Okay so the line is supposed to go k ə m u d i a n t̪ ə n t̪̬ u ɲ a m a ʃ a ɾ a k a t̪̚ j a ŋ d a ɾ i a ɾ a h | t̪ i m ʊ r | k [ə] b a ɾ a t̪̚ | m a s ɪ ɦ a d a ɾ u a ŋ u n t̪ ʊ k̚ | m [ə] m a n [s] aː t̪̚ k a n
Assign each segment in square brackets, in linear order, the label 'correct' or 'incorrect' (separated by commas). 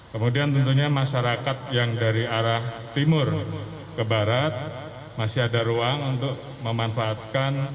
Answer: correct, correct, incorrect